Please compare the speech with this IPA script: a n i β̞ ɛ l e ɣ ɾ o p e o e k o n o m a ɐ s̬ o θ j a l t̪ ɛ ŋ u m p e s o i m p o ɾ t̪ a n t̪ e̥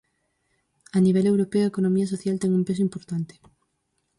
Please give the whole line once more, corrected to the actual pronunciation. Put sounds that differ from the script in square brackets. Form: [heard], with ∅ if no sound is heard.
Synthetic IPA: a n i β̞ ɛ l e [w] ɾ o p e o e k o n o m [i] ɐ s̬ o θ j a l t̪ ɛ ŋ u m p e s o i m p o ɾ t̪ a n t̪ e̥